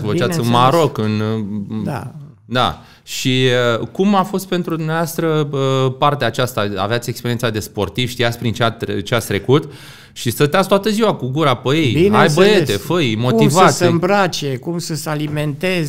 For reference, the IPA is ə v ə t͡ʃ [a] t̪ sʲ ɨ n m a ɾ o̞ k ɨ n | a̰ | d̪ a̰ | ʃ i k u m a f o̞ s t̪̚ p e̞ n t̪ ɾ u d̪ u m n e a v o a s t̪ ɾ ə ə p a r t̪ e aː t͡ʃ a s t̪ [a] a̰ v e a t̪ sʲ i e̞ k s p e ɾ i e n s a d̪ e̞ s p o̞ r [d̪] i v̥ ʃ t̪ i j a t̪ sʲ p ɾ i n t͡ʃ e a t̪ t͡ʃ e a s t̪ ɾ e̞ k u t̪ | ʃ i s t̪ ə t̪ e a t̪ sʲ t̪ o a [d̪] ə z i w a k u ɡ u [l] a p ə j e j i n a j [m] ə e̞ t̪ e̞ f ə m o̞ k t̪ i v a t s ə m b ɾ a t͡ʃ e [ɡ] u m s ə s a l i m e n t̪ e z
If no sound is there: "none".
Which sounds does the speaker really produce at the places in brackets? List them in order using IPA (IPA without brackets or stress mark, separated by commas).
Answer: a, a, t̪, t̪, ɾ, b, k